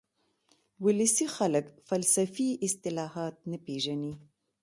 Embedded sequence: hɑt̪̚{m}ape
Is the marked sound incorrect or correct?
incorrect: n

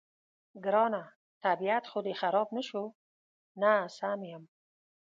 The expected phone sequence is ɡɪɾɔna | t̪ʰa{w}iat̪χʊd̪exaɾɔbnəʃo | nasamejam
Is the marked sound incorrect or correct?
incorrect: b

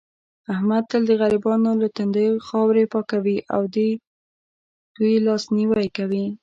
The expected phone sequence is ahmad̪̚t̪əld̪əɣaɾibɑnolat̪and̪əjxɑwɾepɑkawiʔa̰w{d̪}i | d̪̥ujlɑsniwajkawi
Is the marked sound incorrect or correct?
correct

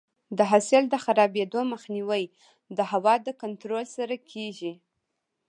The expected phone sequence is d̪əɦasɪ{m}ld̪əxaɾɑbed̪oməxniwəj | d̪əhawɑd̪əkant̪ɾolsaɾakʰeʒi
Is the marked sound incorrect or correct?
incorrect: none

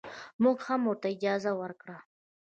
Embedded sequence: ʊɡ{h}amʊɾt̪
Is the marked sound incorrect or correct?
correct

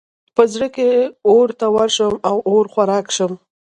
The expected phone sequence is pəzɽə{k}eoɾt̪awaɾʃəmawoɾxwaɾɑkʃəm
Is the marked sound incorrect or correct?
correct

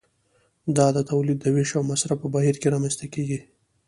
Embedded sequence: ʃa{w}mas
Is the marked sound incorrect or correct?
correct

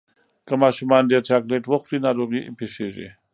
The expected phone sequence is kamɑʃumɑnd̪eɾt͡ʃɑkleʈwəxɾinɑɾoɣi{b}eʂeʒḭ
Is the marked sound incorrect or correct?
incorrect: p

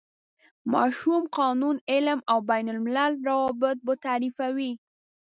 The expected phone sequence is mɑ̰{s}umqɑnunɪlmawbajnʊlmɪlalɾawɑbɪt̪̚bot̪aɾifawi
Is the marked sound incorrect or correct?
incorrect: ʃ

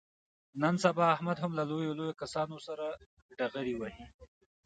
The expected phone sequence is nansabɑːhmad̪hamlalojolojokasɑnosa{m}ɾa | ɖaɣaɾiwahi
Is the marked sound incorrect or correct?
incorrect: none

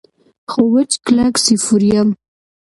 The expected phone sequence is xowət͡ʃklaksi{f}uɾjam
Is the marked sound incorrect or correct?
correct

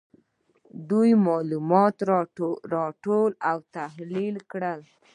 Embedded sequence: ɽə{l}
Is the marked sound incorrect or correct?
correct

